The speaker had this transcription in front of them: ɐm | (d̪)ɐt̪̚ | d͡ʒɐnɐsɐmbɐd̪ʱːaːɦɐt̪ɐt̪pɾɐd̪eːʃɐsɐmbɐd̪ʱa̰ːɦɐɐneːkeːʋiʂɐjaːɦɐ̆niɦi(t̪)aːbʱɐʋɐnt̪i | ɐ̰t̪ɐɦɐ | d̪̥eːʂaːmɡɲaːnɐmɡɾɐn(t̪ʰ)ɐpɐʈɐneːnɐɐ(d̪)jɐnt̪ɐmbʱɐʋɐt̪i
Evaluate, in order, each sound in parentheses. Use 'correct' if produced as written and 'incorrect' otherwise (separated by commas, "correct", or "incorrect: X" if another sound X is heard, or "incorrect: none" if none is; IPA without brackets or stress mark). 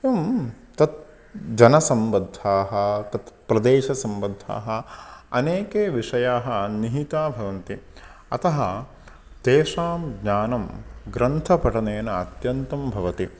incorrect: t̪, correct, correct, incorrect: t̪